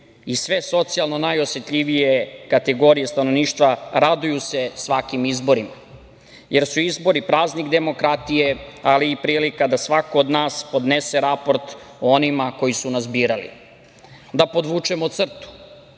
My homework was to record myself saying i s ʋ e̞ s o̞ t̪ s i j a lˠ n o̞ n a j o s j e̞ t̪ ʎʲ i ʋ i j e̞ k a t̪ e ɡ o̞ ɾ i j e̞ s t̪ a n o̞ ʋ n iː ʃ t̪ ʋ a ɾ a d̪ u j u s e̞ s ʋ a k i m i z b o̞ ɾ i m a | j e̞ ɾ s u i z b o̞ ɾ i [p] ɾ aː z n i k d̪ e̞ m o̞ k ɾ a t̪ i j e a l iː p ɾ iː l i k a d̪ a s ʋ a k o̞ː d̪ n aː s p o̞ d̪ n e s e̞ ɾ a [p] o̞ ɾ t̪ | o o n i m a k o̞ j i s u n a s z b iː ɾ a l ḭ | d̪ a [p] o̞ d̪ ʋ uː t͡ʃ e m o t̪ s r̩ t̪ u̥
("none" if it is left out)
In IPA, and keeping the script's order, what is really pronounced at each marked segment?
p, p, p

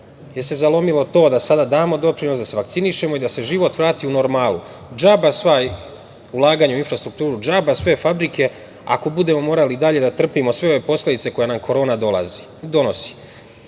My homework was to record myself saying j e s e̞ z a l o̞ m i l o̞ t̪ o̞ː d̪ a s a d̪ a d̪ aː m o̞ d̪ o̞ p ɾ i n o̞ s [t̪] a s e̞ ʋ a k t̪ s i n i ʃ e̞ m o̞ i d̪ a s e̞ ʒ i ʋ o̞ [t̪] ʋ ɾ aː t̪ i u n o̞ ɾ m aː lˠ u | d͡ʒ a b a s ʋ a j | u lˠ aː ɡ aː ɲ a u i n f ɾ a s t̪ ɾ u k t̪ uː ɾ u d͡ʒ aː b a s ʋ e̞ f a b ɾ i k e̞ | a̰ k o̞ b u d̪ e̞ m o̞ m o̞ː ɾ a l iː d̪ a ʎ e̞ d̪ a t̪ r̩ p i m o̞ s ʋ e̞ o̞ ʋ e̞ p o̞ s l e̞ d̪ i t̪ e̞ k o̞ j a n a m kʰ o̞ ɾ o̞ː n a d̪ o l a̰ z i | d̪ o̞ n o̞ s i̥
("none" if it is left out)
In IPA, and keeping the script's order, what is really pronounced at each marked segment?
d̪, t̪

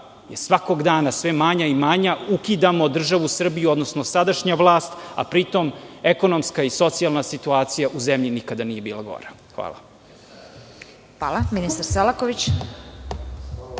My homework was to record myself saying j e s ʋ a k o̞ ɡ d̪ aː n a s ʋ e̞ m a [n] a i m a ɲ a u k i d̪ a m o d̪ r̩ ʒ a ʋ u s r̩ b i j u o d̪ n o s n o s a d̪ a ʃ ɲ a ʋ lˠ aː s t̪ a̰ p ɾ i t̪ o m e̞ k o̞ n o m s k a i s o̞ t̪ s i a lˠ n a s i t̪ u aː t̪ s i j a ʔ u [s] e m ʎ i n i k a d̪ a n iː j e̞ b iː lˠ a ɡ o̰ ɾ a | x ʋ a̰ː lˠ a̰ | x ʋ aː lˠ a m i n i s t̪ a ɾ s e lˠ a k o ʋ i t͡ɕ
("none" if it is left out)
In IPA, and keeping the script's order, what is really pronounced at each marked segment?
ɲ, z

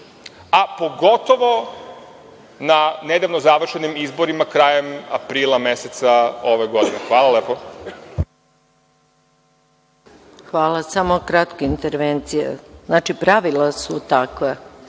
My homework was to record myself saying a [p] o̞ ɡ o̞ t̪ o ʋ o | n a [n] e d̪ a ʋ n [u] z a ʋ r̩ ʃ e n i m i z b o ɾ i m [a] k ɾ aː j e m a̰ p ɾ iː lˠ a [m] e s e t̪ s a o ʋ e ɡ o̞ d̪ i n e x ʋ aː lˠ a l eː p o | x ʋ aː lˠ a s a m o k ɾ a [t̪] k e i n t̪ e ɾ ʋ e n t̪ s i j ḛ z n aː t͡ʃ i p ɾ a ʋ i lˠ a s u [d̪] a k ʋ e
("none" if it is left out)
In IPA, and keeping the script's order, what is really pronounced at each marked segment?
p, n, o, a, m, t̪, t̪

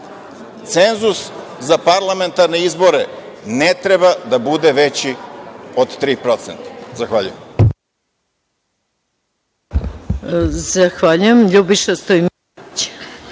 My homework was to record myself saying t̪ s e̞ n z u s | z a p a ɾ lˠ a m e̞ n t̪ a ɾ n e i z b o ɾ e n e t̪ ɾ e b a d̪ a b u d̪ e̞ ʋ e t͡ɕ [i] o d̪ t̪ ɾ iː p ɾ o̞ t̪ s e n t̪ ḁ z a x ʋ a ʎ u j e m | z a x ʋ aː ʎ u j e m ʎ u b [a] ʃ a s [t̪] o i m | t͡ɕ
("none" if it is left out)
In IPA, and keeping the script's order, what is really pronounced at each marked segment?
i, i, t̪

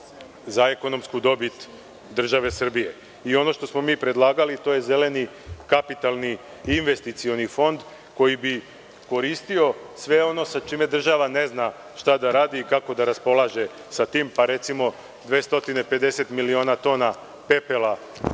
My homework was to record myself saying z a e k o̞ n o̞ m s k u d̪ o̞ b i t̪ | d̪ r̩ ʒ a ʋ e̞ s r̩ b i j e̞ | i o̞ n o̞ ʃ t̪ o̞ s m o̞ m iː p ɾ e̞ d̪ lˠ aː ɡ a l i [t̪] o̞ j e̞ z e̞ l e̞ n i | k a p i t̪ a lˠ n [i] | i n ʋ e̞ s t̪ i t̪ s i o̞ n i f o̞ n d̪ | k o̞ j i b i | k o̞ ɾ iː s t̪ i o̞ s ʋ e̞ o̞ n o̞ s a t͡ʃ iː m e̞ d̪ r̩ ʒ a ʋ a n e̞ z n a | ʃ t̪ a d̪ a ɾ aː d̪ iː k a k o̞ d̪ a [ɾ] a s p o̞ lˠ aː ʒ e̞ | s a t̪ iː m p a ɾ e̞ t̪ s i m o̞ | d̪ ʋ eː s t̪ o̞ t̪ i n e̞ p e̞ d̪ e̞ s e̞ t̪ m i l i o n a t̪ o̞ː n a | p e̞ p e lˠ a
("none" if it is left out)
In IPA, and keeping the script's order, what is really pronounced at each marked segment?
t̪, i, ɾ

